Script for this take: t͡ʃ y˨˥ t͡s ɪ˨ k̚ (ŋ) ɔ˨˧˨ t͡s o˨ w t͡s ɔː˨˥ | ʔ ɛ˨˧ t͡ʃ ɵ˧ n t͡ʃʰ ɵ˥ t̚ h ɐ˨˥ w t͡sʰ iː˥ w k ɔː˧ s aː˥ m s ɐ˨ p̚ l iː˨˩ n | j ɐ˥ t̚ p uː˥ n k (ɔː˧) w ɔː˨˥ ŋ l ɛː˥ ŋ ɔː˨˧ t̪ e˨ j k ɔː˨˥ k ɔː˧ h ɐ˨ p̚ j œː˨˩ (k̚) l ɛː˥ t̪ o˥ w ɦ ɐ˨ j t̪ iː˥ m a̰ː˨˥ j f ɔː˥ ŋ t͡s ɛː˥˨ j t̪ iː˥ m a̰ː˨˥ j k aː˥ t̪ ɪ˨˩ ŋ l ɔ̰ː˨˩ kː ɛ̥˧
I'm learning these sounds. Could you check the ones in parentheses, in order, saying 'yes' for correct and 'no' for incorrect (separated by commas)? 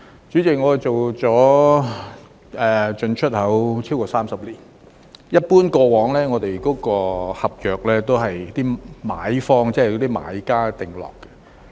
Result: yes, yes, yes